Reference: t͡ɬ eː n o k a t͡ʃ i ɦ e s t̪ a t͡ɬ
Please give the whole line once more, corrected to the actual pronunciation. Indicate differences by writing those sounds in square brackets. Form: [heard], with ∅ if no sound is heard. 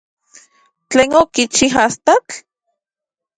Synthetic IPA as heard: t͡ɬ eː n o k [i] t͡ʃ i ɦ [a] s t̪ a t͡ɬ

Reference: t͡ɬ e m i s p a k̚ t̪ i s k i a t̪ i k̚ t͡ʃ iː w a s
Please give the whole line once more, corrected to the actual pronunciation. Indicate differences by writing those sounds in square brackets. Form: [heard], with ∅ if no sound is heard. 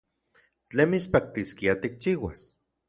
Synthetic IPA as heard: t͡ɬ e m i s p a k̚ t̪ i s k i a t̪ i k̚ t͡ʃ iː w a s

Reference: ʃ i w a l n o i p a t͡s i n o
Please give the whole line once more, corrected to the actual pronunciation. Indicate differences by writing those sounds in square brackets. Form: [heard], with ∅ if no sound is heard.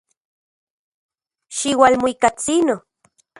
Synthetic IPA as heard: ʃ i w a l [m] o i [k] a t͡s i n o

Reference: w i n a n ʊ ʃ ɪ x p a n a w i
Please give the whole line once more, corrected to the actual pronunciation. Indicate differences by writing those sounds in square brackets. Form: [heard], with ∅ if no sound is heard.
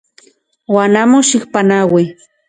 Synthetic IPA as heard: w [a] n a [m] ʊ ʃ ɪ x p a n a w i

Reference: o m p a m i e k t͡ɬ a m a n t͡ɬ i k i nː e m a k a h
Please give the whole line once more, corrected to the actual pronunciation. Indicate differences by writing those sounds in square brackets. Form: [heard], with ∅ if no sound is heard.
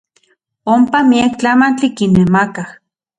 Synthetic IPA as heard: o m p a m i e k t͡ɬ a m a n t͡ɬ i k i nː e m a k a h

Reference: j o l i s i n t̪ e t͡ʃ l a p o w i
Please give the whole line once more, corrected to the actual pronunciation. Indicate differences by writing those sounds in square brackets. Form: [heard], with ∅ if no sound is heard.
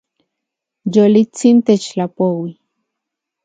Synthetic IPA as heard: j o l i [t͡s] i n t̪ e t͡ʃ l a p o w i

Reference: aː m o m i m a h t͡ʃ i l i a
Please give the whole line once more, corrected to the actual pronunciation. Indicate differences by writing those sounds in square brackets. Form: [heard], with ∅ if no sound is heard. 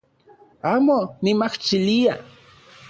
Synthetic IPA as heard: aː m o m i m a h t͡ʃ i l i a

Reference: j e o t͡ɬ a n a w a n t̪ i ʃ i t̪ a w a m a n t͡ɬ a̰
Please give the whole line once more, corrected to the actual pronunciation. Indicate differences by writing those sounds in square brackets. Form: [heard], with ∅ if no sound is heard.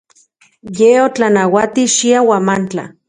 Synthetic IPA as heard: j e o t͡ɬ a n a w a [∅] t̪ i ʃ i [∅] a w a m a n t͡ɬ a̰

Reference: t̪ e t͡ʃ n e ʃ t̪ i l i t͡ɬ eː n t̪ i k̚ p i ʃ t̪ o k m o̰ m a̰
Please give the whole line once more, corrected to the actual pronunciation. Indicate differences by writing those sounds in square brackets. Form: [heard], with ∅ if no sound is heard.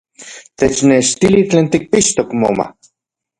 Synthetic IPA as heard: t̪ e t͡ʃ n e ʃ t̪ i l i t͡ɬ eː n t̪ i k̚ p i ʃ t̪ o k m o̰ m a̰

